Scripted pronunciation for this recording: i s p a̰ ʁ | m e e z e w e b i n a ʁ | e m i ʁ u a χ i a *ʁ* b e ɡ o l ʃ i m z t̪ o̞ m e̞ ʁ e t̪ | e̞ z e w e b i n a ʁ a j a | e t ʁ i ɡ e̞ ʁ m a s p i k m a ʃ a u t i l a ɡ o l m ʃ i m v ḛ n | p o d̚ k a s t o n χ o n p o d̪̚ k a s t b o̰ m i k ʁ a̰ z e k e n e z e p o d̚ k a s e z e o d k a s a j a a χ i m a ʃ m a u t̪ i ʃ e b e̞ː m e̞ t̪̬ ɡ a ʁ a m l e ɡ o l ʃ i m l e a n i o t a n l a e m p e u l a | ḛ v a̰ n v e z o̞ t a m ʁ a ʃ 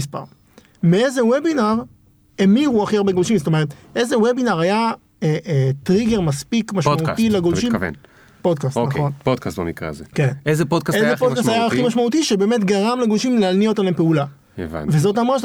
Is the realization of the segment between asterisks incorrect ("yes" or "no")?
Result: no